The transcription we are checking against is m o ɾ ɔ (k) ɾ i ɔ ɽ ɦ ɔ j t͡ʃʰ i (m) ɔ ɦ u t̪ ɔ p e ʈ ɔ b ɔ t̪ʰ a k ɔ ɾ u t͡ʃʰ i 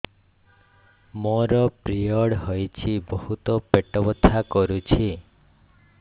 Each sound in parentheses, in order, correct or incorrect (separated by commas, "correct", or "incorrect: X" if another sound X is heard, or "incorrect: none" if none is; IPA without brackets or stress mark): incorrect: p, incorrect: b